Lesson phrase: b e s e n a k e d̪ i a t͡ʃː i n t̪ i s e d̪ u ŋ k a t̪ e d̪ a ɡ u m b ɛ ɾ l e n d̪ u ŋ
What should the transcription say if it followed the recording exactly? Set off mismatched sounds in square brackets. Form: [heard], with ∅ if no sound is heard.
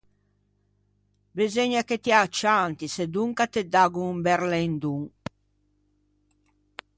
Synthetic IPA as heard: b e [z] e [ɲ] a k e [t̪] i a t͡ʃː [a] n t̪ i s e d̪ u ŋ k a t̪ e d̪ a ɡ u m b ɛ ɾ l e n d̪ u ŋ